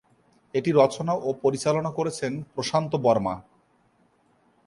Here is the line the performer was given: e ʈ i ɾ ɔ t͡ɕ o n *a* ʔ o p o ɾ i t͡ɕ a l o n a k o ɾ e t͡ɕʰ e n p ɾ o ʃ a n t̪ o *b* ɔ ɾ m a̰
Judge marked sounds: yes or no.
yes, yes

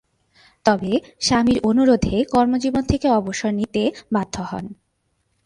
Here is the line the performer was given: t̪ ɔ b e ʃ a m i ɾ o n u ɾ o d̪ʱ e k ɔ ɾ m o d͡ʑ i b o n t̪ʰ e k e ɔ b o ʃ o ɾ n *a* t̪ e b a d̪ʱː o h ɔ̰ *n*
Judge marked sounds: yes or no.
no, yes

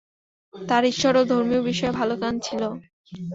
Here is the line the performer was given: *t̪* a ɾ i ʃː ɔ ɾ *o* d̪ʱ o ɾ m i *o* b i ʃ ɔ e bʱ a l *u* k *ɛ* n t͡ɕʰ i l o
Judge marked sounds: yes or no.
yes, yes, yes, no, no

